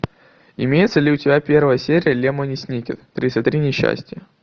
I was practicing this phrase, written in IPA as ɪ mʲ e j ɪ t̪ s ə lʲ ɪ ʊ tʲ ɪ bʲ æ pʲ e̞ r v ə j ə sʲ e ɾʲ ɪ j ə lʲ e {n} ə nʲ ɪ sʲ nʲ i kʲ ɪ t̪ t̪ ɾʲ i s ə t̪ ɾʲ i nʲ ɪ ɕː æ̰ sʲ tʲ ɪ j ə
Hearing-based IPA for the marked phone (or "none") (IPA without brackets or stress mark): m